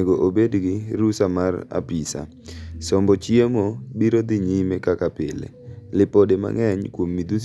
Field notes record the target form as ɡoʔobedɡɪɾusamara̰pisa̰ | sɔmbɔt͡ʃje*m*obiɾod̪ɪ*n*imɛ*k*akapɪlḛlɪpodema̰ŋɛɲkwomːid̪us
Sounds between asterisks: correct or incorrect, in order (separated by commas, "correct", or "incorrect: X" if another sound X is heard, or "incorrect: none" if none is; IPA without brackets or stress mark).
correct, incorrect: ɲ, correct